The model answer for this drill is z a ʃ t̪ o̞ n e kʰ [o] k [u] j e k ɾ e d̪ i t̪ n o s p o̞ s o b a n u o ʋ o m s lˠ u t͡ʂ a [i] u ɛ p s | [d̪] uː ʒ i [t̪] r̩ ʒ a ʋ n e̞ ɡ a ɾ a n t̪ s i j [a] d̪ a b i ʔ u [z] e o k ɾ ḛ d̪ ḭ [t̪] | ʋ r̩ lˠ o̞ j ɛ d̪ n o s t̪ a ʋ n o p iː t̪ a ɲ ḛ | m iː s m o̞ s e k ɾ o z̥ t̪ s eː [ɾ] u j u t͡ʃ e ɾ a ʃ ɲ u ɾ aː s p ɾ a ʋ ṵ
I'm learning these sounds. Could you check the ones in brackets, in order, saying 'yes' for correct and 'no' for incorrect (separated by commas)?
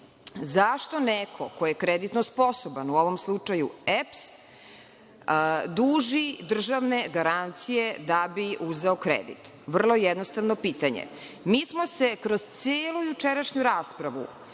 yes, no, no, yes, no, no, yes, yes, no